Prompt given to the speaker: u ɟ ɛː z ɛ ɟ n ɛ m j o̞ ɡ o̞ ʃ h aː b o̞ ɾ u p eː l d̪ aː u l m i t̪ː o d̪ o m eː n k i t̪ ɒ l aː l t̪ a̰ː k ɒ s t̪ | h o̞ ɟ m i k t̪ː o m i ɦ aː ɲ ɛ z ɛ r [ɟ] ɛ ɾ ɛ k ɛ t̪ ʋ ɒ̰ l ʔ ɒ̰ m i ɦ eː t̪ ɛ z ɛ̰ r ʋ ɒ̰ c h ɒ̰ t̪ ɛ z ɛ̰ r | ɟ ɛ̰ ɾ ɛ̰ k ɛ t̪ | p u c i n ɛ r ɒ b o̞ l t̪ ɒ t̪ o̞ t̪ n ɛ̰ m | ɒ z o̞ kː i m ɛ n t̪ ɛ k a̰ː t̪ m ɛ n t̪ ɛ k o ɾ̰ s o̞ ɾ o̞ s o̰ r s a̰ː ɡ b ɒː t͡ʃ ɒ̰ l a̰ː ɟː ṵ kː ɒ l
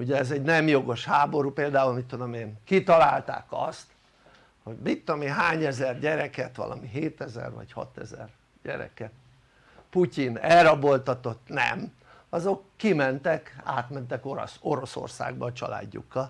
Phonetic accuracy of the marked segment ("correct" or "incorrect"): correct